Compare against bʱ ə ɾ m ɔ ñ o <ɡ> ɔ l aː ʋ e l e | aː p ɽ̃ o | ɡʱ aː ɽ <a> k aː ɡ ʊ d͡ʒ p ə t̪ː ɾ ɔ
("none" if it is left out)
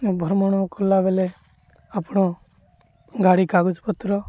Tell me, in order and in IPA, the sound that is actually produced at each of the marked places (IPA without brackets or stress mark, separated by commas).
k, i